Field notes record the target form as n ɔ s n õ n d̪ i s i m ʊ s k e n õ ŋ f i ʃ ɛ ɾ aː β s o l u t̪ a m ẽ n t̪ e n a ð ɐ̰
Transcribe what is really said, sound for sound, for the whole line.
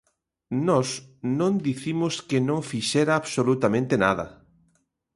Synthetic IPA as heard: n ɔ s n õ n d̪ i θ i m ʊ s k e n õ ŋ f i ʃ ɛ ɾ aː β s o l u t̪ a m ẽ n t̪ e n a ð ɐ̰